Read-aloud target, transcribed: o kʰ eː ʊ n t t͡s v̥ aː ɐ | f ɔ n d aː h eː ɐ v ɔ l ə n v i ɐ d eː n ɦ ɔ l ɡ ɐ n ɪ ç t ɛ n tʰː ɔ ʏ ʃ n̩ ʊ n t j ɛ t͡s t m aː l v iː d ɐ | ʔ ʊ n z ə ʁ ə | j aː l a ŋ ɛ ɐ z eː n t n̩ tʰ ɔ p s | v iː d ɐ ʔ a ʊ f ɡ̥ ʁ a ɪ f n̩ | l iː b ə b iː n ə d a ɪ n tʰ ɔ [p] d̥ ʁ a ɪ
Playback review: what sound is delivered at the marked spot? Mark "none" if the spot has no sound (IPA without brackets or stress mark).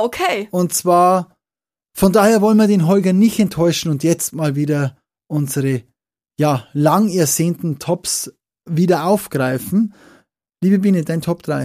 p